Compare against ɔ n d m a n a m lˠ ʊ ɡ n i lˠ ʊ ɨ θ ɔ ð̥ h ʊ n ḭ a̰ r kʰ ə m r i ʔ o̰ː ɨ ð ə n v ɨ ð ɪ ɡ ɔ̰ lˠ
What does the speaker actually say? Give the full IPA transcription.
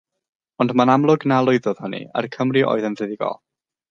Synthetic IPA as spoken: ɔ n d m a n a m lˠ ʊ ɡ n a lˠ ʊ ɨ ð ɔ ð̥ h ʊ n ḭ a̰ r kʰ ə m r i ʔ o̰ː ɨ ð ə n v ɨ ð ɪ ɡ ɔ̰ lˠ